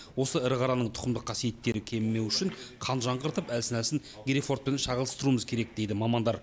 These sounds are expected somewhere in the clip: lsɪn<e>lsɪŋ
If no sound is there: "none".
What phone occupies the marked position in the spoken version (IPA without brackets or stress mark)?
æ